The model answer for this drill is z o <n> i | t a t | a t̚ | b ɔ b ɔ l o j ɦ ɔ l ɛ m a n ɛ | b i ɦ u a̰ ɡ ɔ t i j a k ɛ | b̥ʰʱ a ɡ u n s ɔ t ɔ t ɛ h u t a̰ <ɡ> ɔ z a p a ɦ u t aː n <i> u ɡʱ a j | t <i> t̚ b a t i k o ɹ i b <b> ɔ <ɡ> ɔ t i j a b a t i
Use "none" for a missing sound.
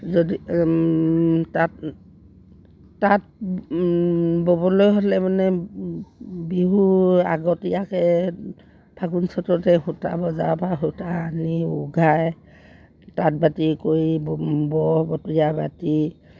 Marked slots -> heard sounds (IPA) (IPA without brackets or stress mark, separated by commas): d, b, i, a, b, b